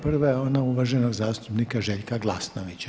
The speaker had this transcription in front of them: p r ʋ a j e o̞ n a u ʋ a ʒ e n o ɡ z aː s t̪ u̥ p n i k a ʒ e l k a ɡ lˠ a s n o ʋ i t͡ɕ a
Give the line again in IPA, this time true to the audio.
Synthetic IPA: p r ʋ a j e o̞ n a u ʋ a ʒ e n o ɡ z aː s t̪ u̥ p n i k a ʒ e ʎ k a ɡ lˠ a s n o ʋ i t͡ɕ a